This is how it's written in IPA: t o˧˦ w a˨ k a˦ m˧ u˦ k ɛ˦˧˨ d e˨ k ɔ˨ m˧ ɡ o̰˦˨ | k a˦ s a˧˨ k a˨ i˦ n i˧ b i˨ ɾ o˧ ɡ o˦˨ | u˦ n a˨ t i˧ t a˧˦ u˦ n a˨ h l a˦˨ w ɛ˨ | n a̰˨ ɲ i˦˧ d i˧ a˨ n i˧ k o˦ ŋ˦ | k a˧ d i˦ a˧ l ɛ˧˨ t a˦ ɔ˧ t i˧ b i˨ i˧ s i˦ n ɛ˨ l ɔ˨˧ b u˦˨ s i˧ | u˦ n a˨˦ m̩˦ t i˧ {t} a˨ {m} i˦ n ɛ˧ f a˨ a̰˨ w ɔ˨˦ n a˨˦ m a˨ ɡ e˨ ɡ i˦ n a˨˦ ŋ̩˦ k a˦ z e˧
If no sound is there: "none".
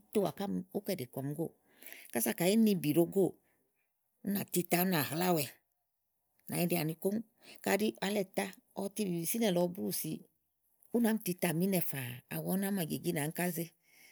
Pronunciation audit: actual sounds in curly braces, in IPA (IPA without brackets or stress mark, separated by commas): t, m